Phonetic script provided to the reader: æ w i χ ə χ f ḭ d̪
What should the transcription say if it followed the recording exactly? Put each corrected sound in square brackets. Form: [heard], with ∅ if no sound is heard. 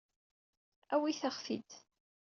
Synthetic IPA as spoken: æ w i [θ] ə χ f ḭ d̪